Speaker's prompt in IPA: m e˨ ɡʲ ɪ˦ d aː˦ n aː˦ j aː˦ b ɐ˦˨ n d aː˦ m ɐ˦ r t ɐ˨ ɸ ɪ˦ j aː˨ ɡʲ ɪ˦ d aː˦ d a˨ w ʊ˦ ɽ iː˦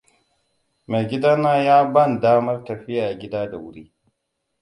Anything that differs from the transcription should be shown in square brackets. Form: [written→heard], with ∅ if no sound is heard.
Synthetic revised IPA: m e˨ ɡʲ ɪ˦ d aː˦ n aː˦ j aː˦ b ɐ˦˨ n d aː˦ m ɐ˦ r t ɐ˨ ɸ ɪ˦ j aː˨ ɡʲ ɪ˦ d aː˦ d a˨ w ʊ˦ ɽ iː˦